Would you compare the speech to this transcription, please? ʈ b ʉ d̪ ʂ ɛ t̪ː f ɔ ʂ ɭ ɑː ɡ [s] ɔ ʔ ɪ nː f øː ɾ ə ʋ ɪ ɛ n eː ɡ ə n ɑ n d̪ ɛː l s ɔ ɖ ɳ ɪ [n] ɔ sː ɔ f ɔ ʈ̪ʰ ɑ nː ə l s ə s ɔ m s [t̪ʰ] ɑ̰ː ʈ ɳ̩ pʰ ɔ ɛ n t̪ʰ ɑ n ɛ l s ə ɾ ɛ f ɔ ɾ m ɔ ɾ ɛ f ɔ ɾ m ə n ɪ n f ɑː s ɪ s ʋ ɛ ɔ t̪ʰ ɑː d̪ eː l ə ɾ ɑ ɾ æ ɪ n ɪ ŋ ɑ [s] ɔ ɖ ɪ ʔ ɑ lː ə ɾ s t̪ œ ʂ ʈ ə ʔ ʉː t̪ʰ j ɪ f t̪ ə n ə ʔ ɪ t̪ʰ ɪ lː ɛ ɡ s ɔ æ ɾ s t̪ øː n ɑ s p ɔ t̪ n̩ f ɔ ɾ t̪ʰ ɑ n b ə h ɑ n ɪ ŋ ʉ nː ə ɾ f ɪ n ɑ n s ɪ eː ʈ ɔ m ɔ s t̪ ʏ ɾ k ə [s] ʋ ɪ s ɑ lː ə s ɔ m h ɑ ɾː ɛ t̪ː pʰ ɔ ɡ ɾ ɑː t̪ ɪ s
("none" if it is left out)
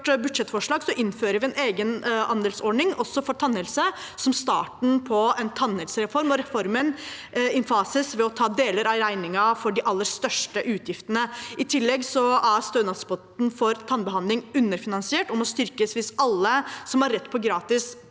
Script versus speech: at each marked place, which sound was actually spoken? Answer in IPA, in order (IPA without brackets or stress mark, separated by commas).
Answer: s, ŋ, t̪, f, s